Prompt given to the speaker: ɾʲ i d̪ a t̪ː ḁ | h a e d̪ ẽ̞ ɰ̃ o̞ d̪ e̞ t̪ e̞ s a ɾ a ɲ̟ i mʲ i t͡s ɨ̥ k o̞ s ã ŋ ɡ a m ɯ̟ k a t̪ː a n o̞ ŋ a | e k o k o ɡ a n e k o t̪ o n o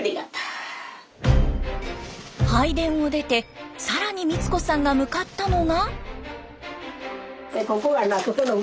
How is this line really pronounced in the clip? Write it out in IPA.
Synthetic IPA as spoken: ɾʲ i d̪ a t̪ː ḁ | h a i d̪ ẽ̞ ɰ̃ o̞ d̪ e̞ t̪ e̞ s a ɾ a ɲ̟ i mʲ i t͡s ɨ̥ k o̞ s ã ŋ ɡ a m ɯ̟ k a t̪ː a n o̞ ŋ a | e k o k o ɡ a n a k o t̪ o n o

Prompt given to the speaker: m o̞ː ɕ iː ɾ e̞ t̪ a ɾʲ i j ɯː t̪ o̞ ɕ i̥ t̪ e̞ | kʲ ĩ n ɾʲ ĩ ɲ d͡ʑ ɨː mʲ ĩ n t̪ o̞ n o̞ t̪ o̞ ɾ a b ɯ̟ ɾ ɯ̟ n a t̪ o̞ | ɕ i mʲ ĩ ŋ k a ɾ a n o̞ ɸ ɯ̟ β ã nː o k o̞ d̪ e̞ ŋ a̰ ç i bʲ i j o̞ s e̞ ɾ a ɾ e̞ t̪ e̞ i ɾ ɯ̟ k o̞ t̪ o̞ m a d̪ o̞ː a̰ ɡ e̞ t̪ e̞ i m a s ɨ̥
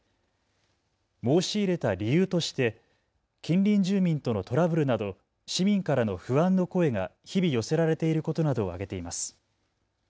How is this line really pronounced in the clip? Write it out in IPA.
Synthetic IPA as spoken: m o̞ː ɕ iː ɾ e̞ t̪ a ɾʲ i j ɯː t̪ o̞ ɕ i̥ t̪ e̞ | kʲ ĩ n ɾʲ ĩ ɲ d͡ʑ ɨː mʲ ĩ n t̪ o̞ n o̞ t̪ o̞ ɾ a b ɯ̟ ɾ ɯ̟ n a d̪ o̞ | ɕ i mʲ ĩ ŋ k a ɾ a n o̞ ɸ ɯ̟ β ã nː o k o̞ e̞ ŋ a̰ ç i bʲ i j o̞ s e̞ ɾ a ɾ e̞ t̪ e̞ i ɾ ɯ̟ k o̞ t̪ o̞ n a d̪ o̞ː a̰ ɡ e̞ t̪ e̞ i m a s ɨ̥

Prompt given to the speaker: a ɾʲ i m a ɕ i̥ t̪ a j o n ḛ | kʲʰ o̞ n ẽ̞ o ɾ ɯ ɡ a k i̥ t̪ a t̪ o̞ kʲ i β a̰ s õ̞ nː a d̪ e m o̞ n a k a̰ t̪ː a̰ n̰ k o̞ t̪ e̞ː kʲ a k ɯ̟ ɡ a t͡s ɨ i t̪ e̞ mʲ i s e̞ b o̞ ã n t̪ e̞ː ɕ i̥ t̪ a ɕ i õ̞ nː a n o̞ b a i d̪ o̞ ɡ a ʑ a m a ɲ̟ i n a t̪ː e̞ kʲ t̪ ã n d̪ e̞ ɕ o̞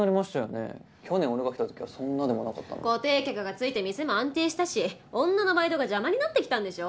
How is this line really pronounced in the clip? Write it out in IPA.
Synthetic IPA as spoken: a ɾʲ i m a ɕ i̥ t̪ a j o n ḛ | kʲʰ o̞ n ẽ̞ o ɾ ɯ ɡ a k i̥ t̪ a t̪ o̞ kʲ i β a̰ s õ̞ nː a d̪ e m o̞ n a k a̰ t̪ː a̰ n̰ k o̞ t̪ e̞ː kʲ a k ɯ̟ ɡ a t͡s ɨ i t̪ e̞ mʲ i s e̞ m o̞ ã n t̪ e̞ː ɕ i̥ t̪ a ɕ i õ̞ nː a n o̞ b a i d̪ o̞ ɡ a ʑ a m a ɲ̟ i n a t̪ː e̞ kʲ t̪ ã n d̪ e̞ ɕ o̞

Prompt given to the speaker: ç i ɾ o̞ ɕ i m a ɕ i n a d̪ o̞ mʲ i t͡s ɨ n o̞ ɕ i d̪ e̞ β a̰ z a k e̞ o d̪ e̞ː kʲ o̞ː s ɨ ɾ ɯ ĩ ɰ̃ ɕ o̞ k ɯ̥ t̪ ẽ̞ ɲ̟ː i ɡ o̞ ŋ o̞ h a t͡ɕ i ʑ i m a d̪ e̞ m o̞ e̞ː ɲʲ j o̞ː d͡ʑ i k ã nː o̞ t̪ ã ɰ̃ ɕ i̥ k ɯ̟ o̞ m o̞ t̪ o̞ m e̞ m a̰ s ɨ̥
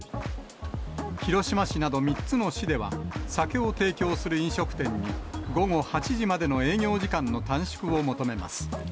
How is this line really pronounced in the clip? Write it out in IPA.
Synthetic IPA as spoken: ç i ɾ o̞ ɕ i m a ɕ i n a d̪ o̞ mʲ i t͡s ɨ n o̞ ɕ i d̪ e̞ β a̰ s a k e̞ o t̪ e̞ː kʲ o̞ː s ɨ ɾ ɯ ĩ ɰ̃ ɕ o̞ k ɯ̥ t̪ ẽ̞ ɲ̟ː i ɡ o̞ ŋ o̞ h a t͡ɕ i ʑ i m a d̪ e̞ n o̞ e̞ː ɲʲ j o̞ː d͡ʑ i k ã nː o̞ t̪ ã ɰ̃ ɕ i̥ k ɯ̟ o̞ m o̞ t̪ o̞ m e̞ m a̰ s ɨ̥

